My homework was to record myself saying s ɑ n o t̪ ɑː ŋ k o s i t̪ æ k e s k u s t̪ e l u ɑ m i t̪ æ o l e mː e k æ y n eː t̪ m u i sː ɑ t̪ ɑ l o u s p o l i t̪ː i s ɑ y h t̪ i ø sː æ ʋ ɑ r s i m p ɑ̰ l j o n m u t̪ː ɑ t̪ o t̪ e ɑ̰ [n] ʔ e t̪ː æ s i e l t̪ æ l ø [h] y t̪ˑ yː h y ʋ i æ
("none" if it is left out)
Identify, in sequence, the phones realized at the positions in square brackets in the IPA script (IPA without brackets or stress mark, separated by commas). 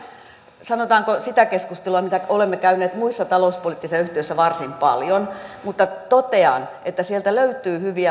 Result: n, none